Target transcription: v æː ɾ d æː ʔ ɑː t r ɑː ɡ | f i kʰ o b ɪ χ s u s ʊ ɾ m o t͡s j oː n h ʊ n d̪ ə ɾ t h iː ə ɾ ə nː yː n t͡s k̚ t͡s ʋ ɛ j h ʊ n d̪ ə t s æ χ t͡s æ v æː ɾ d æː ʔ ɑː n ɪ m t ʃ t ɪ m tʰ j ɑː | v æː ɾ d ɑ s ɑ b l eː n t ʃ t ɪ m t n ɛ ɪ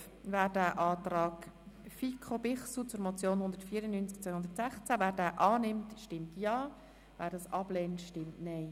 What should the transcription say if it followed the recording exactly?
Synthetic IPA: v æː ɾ d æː ʔ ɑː t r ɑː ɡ | f i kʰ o b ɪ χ s u t͡s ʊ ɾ m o t͡s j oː n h ʊ n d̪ ə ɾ t f iː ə ɾ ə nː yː n t͡s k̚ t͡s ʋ œ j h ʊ n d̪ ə t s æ χ t͡s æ v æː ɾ d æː ʔ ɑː n ɪ m t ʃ t ɪ m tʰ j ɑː | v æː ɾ d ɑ s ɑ b l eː n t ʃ t ɪ m t n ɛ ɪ